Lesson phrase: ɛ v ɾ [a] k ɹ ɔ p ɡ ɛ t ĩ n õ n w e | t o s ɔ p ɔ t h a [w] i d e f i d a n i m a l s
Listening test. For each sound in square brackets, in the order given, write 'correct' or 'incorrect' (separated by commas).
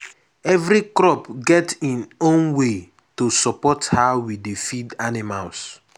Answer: incorrect, correct